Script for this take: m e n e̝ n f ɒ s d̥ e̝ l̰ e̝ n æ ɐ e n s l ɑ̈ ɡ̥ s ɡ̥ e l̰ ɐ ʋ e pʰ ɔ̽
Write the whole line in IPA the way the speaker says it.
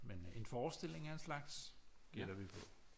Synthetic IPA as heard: m e n e̝ n f ɒː s d̥ e̝ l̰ e̝ ŋ æ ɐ e n s l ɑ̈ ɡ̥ s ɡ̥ e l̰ ɐ ʋ i pʰ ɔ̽

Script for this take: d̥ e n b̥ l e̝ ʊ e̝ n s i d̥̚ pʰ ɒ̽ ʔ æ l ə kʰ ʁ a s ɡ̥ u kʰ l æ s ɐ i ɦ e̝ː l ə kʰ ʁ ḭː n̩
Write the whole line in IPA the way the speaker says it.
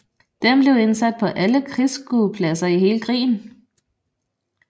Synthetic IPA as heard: d̥ e m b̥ l e̝ ʊ e̝ n s æ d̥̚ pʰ ɒ̽ ʔ æ l ə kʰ ʁ i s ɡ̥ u pʰ l æ s ɐ i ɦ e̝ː l ə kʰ ʁ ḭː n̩

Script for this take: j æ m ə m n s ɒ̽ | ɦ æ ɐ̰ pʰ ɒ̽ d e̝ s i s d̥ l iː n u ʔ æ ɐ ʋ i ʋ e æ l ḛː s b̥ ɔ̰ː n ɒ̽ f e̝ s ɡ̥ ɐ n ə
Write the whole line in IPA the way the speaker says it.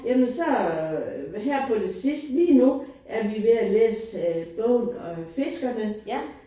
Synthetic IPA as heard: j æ m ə n s ɒ̽ | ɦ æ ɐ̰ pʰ ɒ̽ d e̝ s i s d̥ l iː n u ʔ æ ɐ ʋ i ʋ e æ l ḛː s b̥ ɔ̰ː n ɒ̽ f e̝ s ɡ̥ ɐ n ə

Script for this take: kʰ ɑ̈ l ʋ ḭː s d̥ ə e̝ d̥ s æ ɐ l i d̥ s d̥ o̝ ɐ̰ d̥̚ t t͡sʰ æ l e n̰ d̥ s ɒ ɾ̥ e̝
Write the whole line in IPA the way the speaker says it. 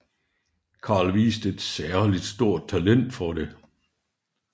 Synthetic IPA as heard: kʰ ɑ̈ l ʋ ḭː s d̥ ə e̝ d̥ s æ ɐ l i d̥ s d̥ o̝ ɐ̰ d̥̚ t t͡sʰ æ l e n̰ d̥ f ɒ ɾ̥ e̝

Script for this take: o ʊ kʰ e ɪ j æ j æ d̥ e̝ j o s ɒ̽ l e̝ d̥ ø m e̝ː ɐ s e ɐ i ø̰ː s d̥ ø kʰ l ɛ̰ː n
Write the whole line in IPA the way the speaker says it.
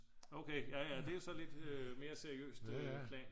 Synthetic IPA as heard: o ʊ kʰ e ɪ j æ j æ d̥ e̝ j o s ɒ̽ l e̝ d̥ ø m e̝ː ɐ s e ɐ i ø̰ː s d̥ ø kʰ l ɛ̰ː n

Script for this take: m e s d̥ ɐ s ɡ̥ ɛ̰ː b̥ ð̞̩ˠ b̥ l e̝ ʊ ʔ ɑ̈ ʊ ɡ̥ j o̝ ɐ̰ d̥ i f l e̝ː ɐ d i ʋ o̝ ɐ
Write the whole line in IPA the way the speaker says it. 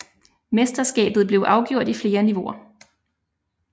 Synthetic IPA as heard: m e s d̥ ɐ s ɡ̥ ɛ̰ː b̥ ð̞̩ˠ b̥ l e̝ ʊ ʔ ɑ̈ ʊ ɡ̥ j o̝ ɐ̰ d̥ i f l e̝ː ɐ n i ʋ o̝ ɐ

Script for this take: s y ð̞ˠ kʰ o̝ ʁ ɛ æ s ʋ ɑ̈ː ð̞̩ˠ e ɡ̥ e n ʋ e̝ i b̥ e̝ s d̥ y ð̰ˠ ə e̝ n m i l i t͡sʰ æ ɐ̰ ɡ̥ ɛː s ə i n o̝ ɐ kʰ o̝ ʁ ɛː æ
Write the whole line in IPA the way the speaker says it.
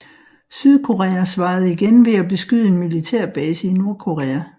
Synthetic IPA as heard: s y ð̞ˠ kʰ o̝ ʁ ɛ æ s ʋ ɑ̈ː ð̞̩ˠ i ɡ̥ e n ʋ e̝ æ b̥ e̝ s ɡ̥ y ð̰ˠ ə e̝ n m i l i t͡sʰ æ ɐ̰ b̥ ɛː s ə i n o̝ ɐ kʰ o̝ ʁ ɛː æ

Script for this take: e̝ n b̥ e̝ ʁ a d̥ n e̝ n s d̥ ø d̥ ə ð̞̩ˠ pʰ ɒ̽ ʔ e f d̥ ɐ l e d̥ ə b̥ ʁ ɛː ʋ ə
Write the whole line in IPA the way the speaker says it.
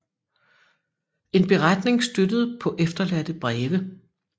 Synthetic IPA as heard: e̝ n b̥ e̝ ʁ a d̥ n e̝ ŋ s d̥ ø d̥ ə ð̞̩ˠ pʰ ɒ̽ ʔ e f d̥ ɐ l æ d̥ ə b̥ ʁ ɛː ʋ ə

